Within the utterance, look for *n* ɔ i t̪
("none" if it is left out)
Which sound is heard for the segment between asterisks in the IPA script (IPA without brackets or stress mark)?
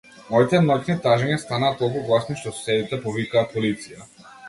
m